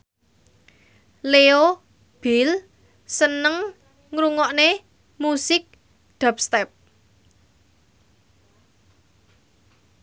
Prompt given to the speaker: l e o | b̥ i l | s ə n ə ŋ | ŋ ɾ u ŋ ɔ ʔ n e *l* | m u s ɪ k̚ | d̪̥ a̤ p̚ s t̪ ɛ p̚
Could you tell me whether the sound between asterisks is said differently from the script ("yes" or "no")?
yes